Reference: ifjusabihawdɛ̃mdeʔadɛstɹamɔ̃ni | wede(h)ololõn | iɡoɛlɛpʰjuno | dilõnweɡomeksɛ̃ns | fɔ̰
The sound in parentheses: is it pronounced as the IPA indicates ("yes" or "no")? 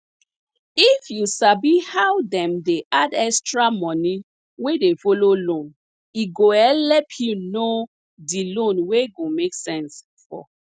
no